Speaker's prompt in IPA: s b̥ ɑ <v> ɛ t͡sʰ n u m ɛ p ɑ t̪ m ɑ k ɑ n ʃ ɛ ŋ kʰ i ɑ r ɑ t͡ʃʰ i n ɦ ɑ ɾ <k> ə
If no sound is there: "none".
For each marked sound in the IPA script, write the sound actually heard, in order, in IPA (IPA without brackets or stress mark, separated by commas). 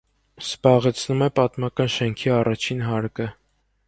ʁ, k